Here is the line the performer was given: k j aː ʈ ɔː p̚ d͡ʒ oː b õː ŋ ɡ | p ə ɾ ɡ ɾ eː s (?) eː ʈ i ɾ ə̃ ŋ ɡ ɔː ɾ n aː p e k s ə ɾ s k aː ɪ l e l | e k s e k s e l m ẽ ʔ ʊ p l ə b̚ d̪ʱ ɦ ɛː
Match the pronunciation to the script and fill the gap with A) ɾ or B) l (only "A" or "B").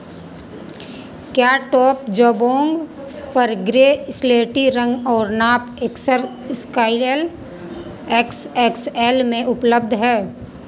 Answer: B